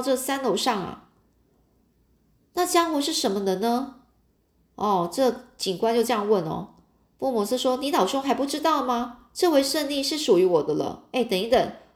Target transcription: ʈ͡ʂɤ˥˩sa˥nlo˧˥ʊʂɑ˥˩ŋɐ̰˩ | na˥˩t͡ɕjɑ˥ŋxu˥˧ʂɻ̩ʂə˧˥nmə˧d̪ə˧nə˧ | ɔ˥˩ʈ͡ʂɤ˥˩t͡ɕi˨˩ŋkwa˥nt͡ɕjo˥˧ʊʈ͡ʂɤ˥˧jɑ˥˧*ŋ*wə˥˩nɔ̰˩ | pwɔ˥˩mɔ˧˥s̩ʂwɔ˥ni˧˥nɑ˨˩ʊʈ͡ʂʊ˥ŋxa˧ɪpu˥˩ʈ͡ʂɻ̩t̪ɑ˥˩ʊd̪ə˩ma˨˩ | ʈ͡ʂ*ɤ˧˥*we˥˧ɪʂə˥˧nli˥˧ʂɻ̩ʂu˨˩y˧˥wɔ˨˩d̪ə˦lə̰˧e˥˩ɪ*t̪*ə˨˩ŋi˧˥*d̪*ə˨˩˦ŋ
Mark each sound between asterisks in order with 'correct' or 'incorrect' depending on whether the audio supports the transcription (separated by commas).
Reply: correct, incorrect, correct, incorrect